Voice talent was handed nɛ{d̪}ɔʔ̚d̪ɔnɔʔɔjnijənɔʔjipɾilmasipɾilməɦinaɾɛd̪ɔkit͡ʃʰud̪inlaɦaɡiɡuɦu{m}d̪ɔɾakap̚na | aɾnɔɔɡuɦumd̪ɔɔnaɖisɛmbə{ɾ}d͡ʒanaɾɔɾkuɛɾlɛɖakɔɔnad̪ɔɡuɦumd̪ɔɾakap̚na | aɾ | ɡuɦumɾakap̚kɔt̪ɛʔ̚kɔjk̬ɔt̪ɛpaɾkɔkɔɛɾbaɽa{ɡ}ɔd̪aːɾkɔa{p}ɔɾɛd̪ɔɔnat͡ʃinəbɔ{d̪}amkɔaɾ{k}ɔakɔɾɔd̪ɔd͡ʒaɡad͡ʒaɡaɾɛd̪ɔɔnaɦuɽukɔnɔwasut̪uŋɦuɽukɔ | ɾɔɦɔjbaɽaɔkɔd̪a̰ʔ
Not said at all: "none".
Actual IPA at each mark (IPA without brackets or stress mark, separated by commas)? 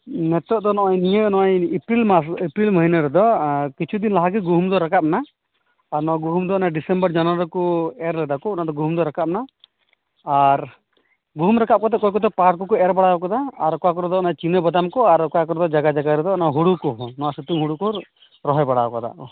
t̪, m, ɾ, k, k, d̪, k